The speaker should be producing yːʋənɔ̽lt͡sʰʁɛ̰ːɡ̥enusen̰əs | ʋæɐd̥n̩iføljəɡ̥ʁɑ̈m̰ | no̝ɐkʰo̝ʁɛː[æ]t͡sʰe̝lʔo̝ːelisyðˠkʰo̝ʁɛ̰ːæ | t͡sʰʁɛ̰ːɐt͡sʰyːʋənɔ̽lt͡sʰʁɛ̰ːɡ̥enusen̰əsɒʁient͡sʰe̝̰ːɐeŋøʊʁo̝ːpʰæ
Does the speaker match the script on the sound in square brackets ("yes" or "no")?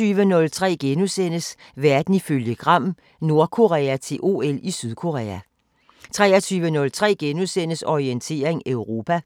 yes